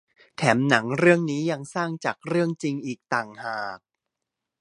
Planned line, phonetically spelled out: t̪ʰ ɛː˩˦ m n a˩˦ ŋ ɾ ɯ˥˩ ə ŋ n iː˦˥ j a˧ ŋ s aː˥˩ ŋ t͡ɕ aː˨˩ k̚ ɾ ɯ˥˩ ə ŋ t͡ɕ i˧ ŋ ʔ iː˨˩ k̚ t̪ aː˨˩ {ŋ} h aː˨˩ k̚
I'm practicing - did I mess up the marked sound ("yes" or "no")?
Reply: no